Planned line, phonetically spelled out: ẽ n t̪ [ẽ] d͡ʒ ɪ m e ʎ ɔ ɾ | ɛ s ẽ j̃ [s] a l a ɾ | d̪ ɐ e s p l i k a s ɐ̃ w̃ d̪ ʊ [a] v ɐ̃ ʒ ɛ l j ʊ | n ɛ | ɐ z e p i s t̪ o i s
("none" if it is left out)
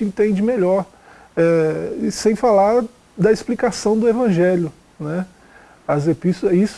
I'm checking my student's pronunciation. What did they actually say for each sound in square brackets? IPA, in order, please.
ẽ, f, e

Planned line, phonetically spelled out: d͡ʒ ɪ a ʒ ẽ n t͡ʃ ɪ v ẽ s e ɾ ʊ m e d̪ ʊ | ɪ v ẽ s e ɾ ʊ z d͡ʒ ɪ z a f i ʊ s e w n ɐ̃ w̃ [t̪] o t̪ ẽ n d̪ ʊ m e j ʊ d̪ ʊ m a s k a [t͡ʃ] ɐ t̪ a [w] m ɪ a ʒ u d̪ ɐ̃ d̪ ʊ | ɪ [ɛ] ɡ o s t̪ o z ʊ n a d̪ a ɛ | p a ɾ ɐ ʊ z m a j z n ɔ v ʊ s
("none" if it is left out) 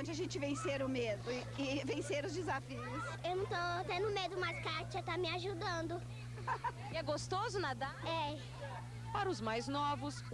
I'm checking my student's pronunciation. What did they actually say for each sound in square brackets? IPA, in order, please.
t̪, t͡ʃ, none, ɛ

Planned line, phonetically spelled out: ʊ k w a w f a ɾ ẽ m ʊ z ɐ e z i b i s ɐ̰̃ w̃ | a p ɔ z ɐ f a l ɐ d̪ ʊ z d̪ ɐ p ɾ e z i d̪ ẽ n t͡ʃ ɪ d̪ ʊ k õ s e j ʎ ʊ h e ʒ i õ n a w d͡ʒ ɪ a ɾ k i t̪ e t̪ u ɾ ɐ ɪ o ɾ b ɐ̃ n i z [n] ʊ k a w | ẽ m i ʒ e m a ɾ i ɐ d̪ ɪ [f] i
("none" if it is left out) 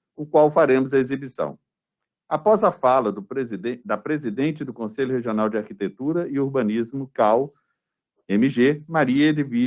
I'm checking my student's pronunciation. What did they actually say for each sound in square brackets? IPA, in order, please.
m, v

